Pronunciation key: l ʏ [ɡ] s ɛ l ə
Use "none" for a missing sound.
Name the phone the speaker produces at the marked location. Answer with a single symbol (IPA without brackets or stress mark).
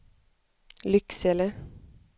k